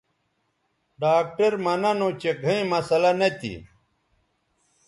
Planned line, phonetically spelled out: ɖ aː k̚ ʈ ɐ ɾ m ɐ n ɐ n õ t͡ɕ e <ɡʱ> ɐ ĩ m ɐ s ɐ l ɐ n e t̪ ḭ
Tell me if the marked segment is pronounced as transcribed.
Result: yes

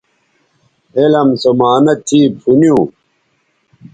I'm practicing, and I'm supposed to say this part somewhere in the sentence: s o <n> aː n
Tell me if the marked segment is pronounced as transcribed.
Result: no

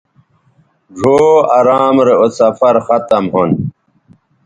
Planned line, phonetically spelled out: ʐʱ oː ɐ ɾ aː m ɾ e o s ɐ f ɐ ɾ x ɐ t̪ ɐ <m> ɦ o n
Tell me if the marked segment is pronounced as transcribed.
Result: yes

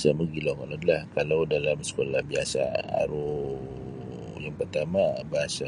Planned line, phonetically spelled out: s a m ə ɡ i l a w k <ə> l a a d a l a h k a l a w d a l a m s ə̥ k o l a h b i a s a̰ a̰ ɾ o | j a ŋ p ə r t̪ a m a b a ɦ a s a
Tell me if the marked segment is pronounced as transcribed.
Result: no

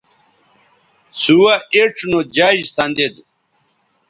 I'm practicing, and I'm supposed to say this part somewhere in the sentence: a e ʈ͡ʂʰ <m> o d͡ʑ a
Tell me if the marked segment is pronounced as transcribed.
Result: no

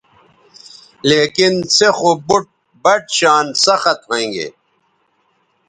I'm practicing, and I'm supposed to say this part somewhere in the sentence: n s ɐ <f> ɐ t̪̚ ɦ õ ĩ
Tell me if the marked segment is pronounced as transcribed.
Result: no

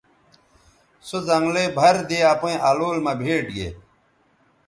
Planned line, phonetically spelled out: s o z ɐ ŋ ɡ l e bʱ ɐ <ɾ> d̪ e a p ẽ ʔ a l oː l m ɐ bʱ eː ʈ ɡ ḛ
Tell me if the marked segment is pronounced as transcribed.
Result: yes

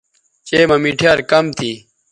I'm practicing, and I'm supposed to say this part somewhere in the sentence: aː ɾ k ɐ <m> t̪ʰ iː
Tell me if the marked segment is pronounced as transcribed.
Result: yes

